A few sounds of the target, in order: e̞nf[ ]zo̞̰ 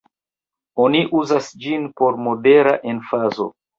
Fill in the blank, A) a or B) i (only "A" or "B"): A